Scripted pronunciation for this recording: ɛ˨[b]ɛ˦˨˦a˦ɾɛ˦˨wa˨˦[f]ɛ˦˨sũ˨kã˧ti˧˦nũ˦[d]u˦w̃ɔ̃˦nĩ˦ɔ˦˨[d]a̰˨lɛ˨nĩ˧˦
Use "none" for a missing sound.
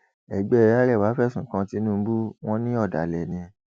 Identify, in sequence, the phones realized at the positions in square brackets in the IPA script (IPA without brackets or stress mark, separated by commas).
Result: ɡ͡b, f, b, d